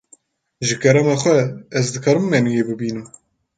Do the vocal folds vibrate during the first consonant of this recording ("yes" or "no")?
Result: yes